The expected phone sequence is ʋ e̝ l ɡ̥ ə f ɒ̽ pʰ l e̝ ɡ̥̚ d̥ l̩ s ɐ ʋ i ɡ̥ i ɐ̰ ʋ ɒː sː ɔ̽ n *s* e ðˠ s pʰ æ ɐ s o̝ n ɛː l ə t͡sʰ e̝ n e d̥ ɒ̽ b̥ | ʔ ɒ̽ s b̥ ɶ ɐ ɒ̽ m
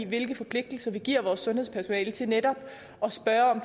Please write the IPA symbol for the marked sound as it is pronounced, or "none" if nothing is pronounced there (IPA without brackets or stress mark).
h